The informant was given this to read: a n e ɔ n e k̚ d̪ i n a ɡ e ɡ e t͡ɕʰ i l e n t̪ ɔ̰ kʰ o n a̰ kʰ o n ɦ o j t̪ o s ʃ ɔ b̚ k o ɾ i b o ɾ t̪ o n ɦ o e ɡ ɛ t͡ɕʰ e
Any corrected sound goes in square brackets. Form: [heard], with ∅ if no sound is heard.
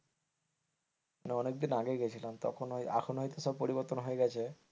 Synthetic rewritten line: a n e ɔ n e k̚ d̪ i n a ɡ e ɡ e t͡ɕʰ i l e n t̪ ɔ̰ kʰ o n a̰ kʰ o n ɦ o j t̪ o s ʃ ɔ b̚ [p] o ɾ i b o ɾ t̪ o n ɦ o e ɡ ɛ t͡ɕʰ e